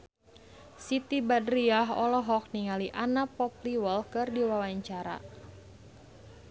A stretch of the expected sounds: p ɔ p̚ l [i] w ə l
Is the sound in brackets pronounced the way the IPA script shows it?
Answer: yes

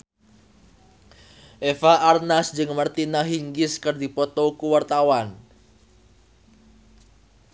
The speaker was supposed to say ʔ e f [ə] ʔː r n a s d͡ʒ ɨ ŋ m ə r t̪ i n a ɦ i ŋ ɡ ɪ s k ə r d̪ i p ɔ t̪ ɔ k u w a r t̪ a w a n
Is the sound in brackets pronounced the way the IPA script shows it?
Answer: no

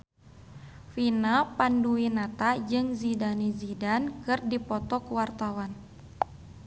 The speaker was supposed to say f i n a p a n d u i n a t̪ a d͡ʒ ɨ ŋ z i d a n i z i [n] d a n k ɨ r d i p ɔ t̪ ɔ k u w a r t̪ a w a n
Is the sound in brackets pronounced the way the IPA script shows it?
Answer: no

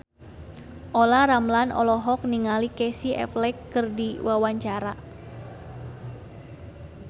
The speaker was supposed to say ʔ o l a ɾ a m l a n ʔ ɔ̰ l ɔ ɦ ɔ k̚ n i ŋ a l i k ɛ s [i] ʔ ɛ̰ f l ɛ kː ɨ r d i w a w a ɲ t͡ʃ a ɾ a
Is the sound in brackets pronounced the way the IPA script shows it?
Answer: yes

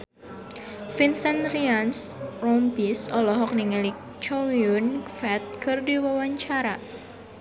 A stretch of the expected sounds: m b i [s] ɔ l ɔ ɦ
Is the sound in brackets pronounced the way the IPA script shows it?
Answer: yes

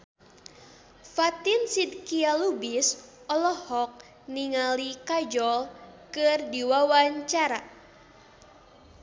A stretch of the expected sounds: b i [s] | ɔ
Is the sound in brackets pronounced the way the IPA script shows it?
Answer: yes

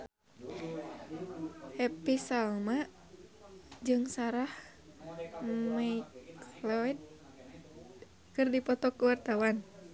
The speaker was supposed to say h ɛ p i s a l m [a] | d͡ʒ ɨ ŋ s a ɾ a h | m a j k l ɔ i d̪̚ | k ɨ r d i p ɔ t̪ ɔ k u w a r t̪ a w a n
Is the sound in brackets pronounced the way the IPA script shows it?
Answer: yes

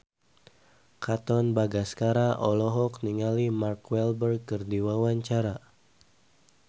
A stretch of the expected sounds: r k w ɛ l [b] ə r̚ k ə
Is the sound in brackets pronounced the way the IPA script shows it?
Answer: yes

